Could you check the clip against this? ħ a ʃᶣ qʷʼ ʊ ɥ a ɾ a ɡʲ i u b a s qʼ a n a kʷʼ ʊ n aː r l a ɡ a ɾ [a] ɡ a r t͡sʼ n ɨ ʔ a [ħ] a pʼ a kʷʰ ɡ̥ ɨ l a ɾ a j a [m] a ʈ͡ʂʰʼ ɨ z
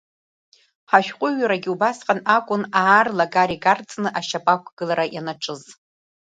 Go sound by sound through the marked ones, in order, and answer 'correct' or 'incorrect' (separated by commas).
incorrect, incorrect, incorrect